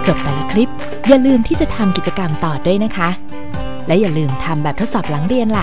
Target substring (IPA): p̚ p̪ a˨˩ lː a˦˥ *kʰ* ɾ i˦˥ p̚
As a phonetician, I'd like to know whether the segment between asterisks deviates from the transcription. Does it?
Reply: no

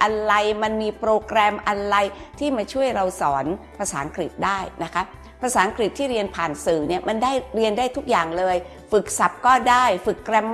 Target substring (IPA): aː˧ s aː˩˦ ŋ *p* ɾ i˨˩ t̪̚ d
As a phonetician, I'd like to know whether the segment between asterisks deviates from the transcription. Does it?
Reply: yes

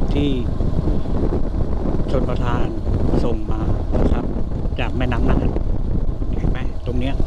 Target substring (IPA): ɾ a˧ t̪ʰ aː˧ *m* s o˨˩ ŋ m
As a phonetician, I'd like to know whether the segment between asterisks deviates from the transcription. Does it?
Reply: yes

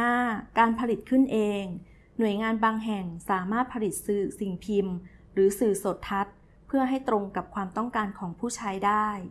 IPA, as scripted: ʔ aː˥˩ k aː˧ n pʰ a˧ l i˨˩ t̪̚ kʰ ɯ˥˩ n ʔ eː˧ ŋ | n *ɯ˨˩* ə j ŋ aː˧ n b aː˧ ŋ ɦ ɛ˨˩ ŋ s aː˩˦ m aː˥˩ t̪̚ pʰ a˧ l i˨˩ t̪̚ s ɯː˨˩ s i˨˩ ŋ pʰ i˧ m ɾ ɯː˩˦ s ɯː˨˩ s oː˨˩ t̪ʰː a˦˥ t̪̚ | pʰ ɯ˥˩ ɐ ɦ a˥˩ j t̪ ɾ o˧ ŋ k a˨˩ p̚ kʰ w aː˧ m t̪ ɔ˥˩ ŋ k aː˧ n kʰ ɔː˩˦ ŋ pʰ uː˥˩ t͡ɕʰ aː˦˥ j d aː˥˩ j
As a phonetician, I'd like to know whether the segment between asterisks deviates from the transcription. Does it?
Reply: yes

